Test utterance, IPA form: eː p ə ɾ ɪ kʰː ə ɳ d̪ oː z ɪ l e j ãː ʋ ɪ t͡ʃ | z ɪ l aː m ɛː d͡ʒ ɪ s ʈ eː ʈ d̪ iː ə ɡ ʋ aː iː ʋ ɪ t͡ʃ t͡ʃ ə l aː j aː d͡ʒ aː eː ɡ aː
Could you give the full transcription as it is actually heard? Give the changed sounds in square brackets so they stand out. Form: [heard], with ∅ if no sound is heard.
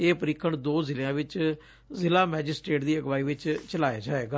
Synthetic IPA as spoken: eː p ə ɾ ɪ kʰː ə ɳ d̪ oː z ɪ l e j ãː ʋ ɪ t͡ʃ | z ɪ l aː m ɛː d͡ʒ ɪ s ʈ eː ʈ d̪ iː ə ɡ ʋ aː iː ʋ ɪ t͡ʃ t͡ʃ ə l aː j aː d͡ʒ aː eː ɡ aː

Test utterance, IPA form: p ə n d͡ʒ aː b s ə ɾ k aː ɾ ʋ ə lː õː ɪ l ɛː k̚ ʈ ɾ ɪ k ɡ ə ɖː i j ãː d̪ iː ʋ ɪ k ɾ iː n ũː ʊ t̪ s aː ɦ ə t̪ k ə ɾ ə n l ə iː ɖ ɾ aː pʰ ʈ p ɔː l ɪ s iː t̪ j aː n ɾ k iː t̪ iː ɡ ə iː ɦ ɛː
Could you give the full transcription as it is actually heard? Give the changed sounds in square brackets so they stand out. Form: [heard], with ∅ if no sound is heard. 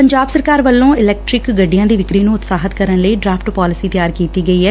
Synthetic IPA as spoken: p ə [ɲ] d͡ʒ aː b s ə ɾ k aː ɾ ʋ ə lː õː ɪ l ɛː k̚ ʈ ɾ ɪ k ɡ ə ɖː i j ãː d̪ iː ʋ ɪ k ɾ iː n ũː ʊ t̪ s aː ɦ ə t̪ k ə ɾ ə n l ə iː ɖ ɾ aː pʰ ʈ p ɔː l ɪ s iː t̪ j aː [∅] ɾ k iː t̪ iː ɡ ə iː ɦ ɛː

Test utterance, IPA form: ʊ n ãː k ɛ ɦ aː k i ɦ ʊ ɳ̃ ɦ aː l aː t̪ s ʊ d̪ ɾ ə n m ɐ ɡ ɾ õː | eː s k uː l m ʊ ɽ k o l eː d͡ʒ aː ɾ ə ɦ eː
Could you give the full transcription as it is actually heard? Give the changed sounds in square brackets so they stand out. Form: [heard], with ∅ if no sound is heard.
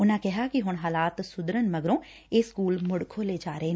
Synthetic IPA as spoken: ʊ n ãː k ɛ ɦ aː k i ɦ ʊ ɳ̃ ɦ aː l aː t̪ s ʊ d̪ ɾ ə n m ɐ ɡ ɾ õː | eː s k uː l m ʊ ɽ [kʰ] o l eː d͡ʒ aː ɾ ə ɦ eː

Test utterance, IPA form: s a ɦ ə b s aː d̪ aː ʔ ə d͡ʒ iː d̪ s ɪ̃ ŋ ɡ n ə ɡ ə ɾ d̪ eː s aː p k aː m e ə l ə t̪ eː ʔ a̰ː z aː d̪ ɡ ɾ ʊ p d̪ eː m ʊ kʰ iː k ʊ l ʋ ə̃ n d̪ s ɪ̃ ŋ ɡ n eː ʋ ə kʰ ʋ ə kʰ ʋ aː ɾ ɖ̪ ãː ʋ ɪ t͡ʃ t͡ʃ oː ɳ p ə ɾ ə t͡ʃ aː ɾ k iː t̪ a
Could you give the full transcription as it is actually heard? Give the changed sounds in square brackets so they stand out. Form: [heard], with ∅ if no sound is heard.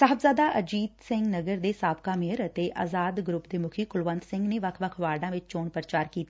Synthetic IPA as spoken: s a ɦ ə b [z] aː d̪ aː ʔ ə d͡ʒ iː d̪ s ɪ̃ ŋ ɡ n ə ɡ ə ɾ d̪ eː s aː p k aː m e ə [ɾ] ə t̪ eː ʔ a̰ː z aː d̪ ɡ ɾ ʊ p d̪ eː m ʊ kʰ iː k ʊ l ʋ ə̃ n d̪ s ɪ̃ ŋ ɡ n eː ʋ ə kʰ ʋ ə kʰ ʋ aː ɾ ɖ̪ ãː ʋ ɪ t͡ʃ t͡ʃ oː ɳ p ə ɾ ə t͡ʃ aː ɾ k iː t̪ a

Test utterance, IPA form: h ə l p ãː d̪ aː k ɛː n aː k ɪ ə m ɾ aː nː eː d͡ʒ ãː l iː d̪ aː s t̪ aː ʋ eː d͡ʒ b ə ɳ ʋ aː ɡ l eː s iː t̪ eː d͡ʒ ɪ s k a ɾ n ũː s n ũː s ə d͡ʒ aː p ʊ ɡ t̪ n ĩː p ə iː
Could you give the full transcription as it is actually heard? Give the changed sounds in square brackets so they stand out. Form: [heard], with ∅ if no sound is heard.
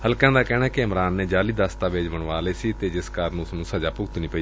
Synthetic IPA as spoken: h ə l [k] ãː d̪ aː k ɛː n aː k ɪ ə m ɾ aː nː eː d͡ʒ [aː] l iː d̪ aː s t̪ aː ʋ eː d͡ʒ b ə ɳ ʋ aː [∅] l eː s iː t̪ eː d͡ʒ ɪ s k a ɾ n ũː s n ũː s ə d͡ʒ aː p ʊ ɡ t̪ n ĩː p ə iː

